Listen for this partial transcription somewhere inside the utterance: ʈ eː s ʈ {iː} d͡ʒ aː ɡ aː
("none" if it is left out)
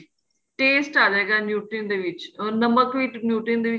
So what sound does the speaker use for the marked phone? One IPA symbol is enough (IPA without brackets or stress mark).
aː